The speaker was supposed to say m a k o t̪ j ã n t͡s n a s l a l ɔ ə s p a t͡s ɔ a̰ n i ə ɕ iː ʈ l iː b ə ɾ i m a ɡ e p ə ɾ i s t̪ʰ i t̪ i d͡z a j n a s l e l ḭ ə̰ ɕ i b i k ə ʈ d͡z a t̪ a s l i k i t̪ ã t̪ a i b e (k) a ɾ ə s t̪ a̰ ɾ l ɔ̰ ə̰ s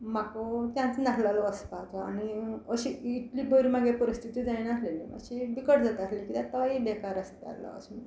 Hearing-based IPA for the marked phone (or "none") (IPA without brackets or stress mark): k